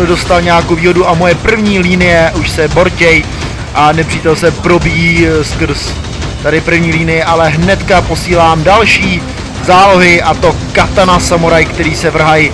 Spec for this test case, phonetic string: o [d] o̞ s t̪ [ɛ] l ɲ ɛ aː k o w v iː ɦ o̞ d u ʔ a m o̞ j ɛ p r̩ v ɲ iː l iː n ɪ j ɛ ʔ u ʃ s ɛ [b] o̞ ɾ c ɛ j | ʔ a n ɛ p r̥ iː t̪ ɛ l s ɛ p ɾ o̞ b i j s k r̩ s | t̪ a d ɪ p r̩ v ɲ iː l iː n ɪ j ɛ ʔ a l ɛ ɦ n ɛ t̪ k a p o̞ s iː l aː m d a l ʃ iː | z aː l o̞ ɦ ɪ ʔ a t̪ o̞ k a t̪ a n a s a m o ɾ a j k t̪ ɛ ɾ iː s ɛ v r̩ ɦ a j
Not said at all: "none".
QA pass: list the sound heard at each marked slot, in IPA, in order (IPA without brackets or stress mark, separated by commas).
d, a, b